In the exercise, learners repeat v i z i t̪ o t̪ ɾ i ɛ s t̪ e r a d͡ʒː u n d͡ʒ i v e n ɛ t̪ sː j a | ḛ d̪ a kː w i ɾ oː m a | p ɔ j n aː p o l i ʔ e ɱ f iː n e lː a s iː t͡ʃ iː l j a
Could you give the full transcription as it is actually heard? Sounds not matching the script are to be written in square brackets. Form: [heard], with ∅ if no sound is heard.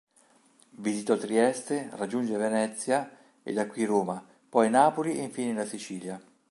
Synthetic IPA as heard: v i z i t̪ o t̪ ɾ i ɛ s t̪ e r a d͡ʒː u n d͡ʒ [e] v e n ɛ t̪ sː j a | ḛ d̪ a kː w i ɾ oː m a | p ɔ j n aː p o l i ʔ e ɱ f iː n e [l] a s [i] t͡ʃ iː l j a

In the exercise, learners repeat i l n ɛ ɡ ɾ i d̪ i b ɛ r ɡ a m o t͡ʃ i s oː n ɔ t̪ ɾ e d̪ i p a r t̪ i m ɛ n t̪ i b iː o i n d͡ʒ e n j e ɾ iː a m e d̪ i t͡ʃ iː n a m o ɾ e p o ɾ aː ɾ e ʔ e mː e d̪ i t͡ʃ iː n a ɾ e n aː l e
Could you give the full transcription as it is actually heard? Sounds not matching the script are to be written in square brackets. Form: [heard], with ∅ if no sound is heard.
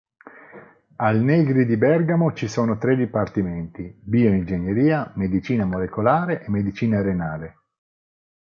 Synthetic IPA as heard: [a] l n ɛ ɡ ɾ i d̪ i b ɛ r ɡ a m o t͡ʃ i s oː n [o] t̪ ɾ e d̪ i p a r t̪ i m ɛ n t̪ i b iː o i n d͡ʒ e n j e ɾ iː a m e d̪ i t͡ʃ iː n a m o [l] e [k] o [l] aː ɾ e ʔ e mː e d̪ i t͡ʃ iː n a ɾ e n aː l e

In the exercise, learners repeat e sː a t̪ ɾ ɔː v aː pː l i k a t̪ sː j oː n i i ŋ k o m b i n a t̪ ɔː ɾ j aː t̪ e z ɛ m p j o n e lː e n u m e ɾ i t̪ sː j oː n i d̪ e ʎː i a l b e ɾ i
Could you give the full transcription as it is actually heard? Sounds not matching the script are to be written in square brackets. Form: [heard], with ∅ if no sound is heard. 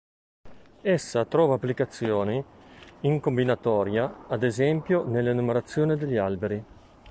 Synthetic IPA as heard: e sː a t̪ ɾ ɔː v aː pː l i k a t̪ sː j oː n i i ŋ k o m b i n a t̪ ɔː ɾ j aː [d̪] e z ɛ m p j o n e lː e n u m e ɾ [a] t̪ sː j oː n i d̪ e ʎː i a l b e ɾ i

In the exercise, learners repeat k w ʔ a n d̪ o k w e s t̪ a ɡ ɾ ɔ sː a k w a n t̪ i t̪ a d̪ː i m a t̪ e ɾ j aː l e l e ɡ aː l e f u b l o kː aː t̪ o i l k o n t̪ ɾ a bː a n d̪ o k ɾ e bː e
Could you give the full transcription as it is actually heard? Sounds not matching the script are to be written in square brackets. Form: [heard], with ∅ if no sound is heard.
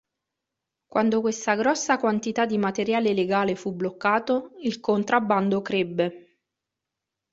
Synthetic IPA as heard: k w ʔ a n d̪ o k w e s t̪ a ɡ ɾ ɔ sː a k w a n t̪ i t̪ a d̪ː i m a t̪ e ɾ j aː l e l e ɡ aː l e f u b l o kː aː t̪ o i l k o n t̪ ɾ a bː a n d̪ o k ɾ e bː e

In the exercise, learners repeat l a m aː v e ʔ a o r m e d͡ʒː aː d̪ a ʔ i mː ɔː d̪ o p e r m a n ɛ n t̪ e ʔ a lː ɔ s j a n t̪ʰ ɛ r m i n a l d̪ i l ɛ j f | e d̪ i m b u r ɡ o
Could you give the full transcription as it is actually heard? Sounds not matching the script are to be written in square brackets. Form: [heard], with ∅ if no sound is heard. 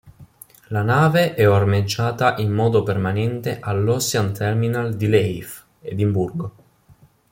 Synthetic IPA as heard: l a [n] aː v e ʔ [ɛ] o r m e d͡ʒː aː [t̪] a ʔ i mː ɔː d̪ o p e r m a n ɛ n t̪ e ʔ a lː ɔ s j a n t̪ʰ ɛ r m i n a l d̪ i l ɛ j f | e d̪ i m b u r ɡ o

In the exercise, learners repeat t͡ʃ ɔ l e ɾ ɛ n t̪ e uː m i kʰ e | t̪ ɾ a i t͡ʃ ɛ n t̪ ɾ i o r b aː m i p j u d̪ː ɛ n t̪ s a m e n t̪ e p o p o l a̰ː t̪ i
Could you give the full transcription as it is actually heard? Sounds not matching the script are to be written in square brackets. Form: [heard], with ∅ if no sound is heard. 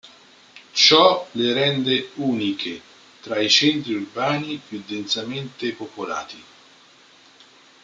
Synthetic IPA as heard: t͡ʃ ɔ l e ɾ ɛ n [d̪] e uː [n] i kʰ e | t̪ ɾ a i t͡ʃ ɛ n t̪ ɾ i [u] r b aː [n] i p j u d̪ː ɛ n t̪ s a m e n t̪ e p o p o l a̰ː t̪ i

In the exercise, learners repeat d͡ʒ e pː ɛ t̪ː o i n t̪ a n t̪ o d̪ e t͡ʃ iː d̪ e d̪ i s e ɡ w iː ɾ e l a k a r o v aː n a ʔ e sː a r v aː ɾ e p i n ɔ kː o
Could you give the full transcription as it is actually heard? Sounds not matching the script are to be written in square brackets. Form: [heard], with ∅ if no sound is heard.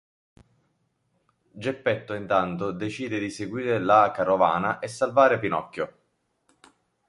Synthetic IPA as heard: d͡ʒ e pː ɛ t̪ː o i n t̪ a n t̪ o d̪ e t͡ʃ iː d̪ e d̪ i s e ɡ w iː ɾ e l a k a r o v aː n a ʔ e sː a [l] v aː ɾ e p i n ɔ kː o

